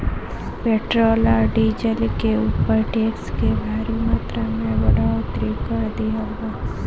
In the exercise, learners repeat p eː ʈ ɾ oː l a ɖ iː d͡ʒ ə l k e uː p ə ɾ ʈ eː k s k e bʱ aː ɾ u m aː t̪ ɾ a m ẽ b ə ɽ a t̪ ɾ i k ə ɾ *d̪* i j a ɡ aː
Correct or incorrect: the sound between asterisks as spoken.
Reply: correct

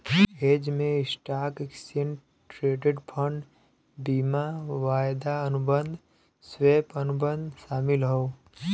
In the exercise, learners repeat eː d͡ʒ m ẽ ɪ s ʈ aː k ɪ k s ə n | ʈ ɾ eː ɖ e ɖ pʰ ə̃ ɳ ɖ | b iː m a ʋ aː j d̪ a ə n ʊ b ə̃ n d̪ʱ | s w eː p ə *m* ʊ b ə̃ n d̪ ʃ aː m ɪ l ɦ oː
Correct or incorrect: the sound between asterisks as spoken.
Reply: incorrect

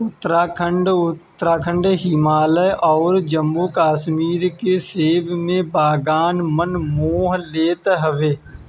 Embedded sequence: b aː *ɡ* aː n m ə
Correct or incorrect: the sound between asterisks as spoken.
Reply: correct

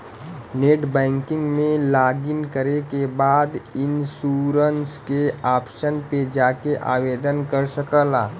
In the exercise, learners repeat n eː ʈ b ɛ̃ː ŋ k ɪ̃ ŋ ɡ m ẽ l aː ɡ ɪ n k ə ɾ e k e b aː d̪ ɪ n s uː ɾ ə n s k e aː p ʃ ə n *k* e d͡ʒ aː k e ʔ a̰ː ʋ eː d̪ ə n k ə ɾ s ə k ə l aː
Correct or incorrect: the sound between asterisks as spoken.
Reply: incorrect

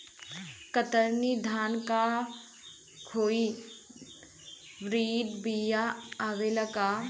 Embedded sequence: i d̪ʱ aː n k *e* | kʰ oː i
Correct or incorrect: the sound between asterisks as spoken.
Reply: incorrect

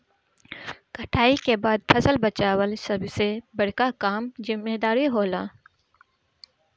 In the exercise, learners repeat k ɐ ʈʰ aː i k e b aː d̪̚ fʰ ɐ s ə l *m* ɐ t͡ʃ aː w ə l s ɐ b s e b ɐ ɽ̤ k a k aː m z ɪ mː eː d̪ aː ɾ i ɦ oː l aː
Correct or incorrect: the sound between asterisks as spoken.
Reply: incorrect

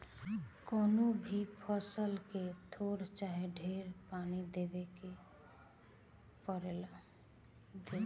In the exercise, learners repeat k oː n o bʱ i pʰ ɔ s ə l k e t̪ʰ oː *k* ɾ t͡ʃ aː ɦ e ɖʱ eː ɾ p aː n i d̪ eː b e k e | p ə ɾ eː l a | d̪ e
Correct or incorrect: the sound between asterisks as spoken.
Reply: incorrect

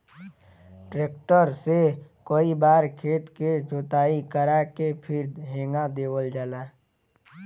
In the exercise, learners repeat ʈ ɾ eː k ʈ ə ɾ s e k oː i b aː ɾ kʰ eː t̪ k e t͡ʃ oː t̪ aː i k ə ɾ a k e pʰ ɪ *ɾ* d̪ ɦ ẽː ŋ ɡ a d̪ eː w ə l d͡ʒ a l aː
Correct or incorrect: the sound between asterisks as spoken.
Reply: correct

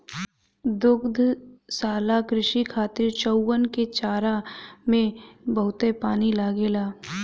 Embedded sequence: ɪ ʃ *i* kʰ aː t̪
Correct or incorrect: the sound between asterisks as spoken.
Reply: correct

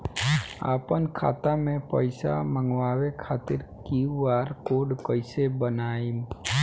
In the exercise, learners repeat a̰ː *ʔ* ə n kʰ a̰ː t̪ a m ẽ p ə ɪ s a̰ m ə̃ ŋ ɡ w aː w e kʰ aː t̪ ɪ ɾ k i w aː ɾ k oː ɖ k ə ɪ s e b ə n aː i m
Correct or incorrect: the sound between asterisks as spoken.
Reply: incorrect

